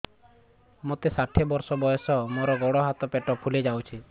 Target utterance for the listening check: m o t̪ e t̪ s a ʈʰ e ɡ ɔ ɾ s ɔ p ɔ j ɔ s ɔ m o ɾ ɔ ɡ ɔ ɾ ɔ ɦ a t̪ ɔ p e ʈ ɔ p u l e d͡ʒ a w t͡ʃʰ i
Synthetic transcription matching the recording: m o t̪ e s a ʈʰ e b ɔ ɾ s ɔ b ɔ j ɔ s ɔ m o ɾ ɔ ɡ ɔ ɽ ɔ ɦ a t̪ ɔ p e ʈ ɔ pʰ u l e d͡ʒ a w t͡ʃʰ i